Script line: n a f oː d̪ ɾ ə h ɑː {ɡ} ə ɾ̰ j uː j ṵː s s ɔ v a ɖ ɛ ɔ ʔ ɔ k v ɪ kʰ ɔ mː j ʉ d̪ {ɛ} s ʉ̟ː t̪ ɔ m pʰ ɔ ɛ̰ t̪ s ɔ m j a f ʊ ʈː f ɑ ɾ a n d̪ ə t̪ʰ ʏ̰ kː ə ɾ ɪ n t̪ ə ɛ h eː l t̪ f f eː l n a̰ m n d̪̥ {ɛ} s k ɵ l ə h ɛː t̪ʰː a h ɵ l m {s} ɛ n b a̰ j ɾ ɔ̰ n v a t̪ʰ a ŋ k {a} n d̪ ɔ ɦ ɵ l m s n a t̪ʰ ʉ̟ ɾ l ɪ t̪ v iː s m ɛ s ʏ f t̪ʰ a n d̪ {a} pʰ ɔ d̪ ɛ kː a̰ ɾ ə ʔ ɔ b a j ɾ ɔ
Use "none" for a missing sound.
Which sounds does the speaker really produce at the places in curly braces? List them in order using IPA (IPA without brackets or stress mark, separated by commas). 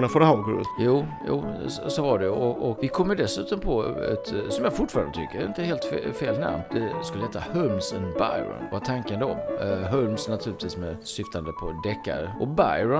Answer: ɡ, ɛ, ɛ, s, ə, ə